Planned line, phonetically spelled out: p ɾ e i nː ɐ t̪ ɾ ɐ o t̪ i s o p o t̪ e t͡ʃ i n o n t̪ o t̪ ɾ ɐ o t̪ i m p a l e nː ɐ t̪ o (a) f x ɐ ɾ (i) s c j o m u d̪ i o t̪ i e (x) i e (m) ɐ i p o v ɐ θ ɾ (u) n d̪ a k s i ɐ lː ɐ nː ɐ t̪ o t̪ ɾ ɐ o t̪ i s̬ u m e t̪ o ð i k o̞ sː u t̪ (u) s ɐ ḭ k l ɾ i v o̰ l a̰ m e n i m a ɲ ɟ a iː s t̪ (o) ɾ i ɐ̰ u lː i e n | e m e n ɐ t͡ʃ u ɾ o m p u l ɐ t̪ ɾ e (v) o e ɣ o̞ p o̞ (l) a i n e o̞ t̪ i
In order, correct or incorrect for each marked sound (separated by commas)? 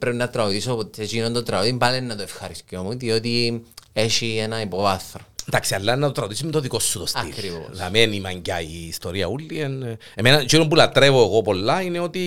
incorrect, correct, incorrect, incorrect, incorrect, incorrect, correct, correct, incorrect